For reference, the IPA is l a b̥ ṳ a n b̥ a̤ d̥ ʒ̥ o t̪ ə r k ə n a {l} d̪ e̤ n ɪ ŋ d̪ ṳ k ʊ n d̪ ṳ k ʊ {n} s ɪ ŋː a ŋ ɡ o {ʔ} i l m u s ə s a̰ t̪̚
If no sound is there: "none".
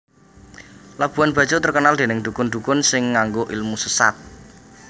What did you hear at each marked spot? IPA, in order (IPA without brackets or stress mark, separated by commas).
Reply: l, n, ʔ